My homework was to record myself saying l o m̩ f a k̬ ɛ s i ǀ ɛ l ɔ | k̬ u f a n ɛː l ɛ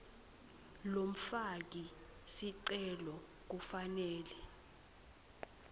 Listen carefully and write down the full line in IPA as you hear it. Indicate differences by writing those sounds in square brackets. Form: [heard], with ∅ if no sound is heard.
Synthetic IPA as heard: l o m̩ f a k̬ [i] s i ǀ ɛ l ɔ | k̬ u f a n ɛː l ɛ